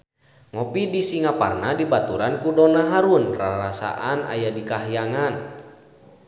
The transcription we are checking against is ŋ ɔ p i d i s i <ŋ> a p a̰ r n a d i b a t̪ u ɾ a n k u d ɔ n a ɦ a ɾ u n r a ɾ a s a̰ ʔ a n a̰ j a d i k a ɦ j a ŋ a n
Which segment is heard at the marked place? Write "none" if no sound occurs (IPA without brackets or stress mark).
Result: ŋ